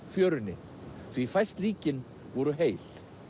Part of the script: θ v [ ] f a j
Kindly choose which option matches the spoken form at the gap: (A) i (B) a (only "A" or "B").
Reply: A